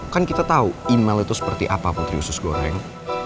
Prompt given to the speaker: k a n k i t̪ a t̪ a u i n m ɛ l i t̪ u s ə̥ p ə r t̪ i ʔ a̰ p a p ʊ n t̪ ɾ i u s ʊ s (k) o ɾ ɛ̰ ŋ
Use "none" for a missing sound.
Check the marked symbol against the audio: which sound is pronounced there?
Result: ɡ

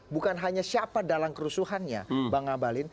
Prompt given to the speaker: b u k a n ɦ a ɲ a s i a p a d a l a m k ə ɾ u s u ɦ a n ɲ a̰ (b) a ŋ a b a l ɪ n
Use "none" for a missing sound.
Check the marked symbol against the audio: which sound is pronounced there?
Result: b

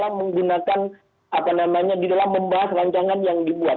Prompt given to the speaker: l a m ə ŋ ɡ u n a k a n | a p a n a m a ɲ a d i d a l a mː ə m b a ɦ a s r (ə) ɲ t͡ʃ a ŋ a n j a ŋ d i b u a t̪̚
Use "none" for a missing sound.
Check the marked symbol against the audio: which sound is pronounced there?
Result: a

